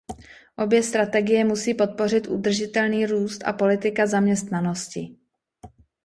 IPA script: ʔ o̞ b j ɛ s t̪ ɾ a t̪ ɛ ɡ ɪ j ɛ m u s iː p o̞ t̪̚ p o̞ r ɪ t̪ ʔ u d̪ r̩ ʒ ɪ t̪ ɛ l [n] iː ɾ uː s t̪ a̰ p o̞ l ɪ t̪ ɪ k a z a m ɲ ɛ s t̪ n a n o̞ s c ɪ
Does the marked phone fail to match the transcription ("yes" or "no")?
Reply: no